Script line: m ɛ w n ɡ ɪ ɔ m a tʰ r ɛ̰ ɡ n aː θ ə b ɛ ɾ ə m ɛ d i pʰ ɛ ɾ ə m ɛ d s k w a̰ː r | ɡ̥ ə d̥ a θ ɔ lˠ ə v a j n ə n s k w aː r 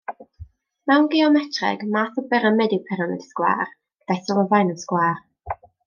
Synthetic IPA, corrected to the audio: m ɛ w n ɡ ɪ ɔ m ɛ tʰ r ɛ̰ ɡ m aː θ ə b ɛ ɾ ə m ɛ d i pʰ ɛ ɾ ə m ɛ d s k w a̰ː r | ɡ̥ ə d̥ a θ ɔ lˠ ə v a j n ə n s k w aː r